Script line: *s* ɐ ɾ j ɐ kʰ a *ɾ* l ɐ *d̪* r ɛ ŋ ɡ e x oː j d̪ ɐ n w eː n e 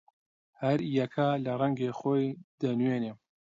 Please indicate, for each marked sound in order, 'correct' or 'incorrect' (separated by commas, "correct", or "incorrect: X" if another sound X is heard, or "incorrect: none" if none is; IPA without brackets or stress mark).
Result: incorrect: h, incorrect: none, incorrect: none